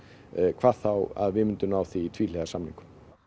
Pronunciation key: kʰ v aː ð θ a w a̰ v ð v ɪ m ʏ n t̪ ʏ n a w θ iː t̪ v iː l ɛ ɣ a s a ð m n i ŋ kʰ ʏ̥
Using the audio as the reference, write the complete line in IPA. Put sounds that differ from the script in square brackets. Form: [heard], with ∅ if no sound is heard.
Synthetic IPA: kʰ v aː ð θ a w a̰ [∅] ð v ɪ m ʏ n t̪ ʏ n a w θ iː [t̪ʰ] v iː l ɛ ɣ a s a [∅] m n i ŋ [k] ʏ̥